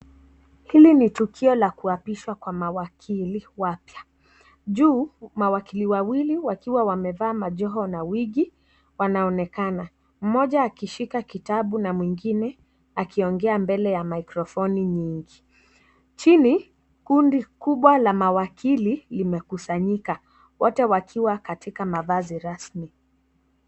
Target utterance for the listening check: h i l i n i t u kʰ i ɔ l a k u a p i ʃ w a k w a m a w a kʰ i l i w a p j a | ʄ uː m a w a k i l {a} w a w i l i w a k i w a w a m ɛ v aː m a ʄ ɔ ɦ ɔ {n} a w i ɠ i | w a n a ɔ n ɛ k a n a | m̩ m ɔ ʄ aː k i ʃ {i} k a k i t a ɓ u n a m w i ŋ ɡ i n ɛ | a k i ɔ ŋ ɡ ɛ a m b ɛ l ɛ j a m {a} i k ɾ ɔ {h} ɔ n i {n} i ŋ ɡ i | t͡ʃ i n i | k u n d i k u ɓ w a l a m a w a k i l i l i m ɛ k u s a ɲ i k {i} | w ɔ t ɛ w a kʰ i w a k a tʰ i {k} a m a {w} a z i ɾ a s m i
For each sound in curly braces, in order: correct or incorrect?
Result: incorrect: i, correct, correct, correct, incorrect: f, incorrect: ɲ, incorrect: a, correct, incorrect: v

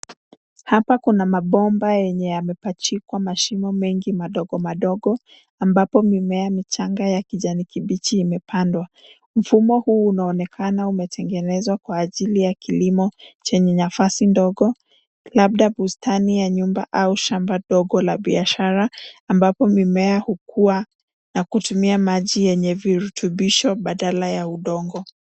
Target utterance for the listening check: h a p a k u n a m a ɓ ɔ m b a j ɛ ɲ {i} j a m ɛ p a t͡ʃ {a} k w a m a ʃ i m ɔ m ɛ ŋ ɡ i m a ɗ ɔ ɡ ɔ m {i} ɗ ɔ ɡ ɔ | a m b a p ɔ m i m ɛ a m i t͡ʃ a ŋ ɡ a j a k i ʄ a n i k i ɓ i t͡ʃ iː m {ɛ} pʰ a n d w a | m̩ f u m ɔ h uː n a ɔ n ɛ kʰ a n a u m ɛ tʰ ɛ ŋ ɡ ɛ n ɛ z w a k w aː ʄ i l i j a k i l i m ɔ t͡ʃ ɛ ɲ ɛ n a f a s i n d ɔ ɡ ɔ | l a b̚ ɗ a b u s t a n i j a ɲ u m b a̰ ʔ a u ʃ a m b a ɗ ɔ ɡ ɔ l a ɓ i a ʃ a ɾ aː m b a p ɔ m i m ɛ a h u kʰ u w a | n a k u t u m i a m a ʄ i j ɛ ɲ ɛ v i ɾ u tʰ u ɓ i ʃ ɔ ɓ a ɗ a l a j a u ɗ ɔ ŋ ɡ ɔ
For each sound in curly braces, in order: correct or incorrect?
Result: incorrect: ɛ, incorrect: i, incorrect: a, correct

